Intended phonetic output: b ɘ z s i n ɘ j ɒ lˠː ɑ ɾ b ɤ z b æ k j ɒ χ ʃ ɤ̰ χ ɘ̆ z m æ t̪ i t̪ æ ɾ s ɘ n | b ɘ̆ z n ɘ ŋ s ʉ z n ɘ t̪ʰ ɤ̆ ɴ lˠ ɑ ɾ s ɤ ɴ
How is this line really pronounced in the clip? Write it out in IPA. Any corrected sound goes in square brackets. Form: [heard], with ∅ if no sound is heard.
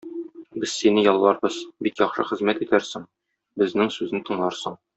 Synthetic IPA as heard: b ɘ z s i n ɘ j ɒ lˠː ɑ ɾ b ɤ z b [i] k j ɒ χ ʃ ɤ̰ χ ɘ̆ z m æ t̪ i t̪ æ ɾ s ɘ [ŋ] | b ɘ̆ z n ɘ ŋ s ʉ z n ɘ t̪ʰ ɤ̆ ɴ lˠ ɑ ɾ s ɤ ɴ